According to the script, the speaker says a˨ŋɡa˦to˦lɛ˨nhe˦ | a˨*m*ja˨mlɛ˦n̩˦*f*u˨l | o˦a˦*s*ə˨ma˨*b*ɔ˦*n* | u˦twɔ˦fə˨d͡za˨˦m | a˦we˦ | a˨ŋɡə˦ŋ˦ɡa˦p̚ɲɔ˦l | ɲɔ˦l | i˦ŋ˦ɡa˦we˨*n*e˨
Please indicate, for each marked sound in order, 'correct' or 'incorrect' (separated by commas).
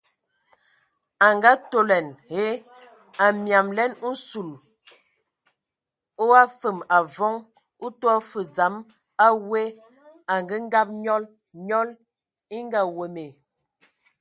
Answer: correct, incorrect, incorrect, incorrect, incorrect, incorrect